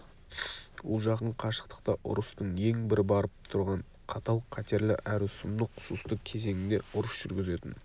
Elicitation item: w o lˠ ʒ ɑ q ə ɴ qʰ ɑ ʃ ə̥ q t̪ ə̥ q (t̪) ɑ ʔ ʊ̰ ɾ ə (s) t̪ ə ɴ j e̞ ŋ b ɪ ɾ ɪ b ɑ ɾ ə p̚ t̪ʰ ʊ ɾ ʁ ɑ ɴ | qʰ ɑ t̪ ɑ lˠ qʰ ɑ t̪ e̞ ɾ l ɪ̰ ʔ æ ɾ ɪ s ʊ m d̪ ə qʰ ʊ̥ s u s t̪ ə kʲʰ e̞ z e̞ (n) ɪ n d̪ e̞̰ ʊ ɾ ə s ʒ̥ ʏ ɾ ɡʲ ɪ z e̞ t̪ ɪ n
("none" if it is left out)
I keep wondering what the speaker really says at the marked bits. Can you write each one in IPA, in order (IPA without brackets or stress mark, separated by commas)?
t̪, s, ŋ